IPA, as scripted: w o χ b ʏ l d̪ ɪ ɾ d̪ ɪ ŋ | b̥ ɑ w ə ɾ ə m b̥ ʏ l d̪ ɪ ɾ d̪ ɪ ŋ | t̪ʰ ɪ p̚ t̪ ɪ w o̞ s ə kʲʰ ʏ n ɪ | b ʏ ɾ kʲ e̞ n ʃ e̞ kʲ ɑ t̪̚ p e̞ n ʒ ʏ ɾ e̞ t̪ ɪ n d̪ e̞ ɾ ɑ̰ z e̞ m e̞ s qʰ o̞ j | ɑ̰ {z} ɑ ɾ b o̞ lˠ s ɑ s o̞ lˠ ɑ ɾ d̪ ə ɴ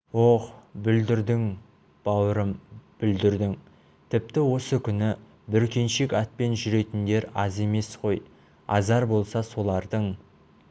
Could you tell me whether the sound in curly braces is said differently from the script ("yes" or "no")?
no